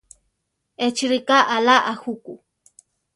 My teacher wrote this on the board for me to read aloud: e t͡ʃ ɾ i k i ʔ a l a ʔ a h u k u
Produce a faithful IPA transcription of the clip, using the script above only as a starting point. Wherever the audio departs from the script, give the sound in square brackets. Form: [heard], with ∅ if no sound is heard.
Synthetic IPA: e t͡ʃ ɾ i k [a] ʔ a l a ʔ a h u k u